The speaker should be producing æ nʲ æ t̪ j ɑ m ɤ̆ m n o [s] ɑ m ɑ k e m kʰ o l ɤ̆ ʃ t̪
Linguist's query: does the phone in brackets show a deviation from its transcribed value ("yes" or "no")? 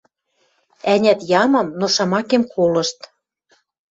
yes